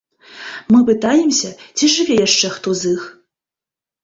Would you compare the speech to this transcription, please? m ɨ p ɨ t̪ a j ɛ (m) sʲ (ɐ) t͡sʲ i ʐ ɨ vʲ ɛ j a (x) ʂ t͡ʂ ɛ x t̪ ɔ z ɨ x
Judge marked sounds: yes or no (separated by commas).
yes, yes, no